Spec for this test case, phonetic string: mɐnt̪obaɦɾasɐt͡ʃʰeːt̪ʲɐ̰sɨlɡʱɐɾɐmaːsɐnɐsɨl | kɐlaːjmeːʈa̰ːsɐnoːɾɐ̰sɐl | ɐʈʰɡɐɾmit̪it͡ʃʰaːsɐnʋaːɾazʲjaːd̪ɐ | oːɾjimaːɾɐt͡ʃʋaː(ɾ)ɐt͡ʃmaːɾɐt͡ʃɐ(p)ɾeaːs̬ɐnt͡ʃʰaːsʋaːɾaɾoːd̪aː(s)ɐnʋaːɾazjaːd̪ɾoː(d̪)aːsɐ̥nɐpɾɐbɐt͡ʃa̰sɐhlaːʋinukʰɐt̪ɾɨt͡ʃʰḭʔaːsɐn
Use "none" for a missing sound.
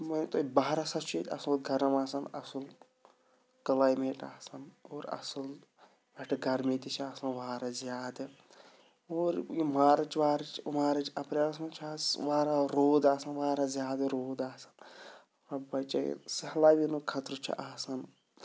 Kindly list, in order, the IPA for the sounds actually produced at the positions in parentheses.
ɾ, p, s, d̪

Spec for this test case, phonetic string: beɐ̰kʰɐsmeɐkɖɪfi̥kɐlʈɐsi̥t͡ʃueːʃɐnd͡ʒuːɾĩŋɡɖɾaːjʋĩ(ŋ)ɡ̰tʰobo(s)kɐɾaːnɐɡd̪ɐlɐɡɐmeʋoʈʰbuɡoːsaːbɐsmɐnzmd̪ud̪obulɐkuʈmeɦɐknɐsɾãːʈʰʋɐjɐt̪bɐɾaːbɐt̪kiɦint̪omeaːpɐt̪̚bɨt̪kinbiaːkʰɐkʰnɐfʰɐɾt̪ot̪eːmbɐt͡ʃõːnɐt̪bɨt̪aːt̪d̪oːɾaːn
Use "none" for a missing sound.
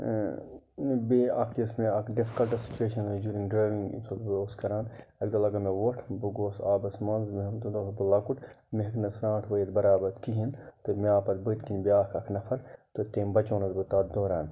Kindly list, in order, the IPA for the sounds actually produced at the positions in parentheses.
ŋ, s

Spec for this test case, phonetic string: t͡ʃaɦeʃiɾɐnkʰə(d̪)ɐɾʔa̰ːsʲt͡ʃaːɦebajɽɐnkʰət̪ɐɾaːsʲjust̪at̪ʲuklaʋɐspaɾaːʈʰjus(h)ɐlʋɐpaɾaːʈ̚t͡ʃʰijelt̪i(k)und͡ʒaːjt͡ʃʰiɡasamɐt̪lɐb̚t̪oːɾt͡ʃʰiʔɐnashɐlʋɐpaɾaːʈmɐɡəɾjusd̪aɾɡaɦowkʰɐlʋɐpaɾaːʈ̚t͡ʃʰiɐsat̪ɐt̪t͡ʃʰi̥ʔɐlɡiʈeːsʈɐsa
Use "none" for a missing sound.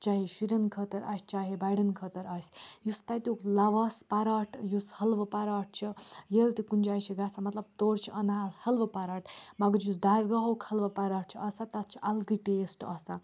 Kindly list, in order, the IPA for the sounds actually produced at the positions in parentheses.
t̪, h, k

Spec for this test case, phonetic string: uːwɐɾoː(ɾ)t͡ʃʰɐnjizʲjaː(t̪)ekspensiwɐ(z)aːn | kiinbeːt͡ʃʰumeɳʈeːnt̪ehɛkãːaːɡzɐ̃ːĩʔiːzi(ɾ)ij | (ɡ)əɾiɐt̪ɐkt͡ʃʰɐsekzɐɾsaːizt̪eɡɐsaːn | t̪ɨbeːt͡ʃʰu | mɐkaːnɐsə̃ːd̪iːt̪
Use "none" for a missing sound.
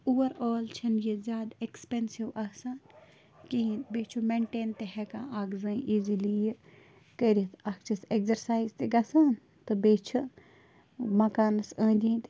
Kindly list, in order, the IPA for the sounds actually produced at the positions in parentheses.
l, d̪, s, l, k

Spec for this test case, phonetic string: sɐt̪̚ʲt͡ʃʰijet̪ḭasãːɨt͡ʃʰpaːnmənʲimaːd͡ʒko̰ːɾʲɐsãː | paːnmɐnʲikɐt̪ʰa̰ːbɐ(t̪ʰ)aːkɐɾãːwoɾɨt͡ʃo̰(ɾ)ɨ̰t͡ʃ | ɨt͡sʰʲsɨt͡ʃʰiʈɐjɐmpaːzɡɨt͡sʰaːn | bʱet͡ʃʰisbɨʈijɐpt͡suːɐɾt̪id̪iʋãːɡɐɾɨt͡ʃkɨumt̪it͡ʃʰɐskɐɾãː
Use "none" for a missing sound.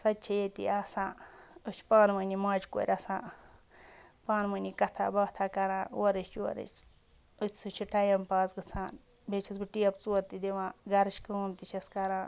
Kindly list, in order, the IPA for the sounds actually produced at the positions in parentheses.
t̪ʰ, ɾ

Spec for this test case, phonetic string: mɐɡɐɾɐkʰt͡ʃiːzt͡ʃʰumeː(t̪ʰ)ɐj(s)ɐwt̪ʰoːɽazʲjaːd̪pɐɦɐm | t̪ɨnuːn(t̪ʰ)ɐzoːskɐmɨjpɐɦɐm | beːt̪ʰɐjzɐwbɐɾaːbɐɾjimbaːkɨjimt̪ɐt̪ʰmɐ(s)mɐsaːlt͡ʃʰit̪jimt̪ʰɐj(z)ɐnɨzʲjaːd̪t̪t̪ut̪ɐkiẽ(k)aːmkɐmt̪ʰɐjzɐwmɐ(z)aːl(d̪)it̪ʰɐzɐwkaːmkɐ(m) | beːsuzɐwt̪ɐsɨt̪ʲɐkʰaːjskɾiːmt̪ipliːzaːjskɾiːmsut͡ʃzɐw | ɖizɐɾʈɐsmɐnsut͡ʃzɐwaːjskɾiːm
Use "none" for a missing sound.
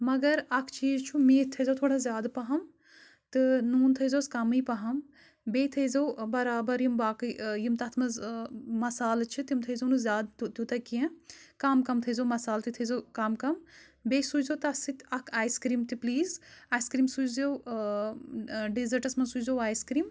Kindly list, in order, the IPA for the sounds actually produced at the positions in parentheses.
t̪ʰ, z, t̪ʰ, z, z, k, s, t̪, m

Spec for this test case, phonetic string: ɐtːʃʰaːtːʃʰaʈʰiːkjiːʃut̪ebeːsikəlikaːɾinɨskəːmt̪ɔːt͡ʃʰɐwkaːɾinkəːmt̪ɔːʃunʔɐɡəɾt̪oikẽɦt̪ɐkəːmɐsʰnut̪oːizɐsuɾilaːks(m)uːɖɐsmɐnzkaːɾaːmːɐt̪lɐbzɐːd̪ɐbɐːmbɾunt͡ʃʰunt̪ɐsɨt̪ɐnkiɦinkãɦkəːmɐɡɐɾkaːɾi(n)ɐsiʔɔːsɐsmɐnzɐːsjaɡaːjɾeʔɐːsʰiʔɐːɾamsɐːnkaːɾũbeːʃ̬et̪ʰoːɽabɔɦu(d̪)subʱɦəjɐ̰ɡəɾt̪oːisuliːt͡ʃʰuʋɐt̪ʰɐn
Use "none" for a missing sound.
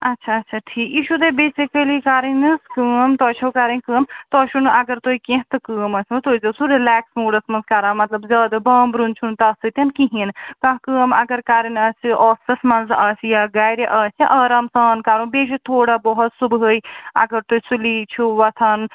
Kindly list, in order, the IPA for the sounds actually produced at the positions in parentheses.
m, n, t̪

